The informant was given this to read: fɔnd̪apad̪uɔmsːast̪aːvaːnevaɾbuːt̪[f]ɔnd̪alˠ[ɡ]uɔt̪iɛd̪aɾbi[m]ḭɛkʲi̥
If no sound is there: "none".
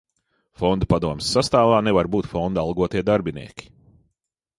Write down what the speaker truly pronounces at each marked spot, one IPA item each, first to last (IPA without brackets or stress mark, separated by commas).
f, ɡ, n